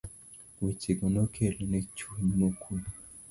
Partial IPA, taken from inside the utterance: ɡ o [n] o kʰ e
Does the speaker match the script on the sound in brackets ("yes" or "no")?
yes